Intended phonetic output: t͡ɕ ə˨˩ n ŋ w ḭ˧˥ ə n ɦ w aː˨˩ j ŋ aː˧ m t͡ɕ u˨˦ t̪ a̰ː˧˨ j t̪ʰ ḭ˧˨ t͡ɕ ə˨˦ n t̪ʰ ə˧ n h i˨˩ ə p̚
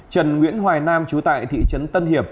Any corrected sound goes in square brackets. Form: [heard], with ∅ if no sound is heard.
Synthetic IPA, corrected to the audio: t͡ɕ ə˨˩ n ŋ w ḭ˧˥ ə n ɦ w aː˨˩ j [n] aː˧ m t͡ɕ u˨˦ t̪ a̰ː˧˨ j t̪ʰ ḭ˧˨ t͡ɕ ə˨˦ n [t̪] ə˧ n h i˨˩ ə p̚